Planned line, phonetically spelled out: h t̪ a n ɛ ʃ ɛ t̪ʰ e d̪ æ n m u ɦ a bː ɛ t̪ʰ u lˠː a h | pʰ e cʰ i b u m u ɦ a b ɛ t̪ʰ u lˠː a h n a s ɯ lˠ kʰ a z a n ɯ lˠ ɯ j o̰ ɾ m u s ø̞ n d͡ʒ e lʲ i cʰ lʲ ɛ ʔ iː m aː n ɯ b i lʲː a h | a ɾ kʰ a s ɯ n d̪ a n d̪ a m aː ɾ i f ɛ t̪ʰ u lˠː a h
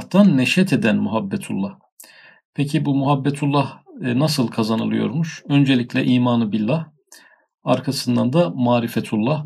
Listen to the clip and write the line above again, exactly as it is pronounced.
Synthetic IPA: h t̪ a nː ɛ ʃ ɛ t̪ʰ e d̪ æ n m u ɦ a bː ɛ t̪ʰ u lˠː a h | pʰ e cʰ i b u m u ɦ a bː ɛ t̪ʰ u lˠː a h n a s ɯ lˠ kʰ a z a n ɯ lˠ ɯ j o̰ ɾ m u ʃ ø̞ n d͡ʒ e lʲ i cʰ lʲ ɛ ʔ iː m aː n ɯ b i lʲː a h | a ɾ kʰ a s ɯ n d̪ a n d̪ a m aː ɾ i f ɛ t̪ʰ u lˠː a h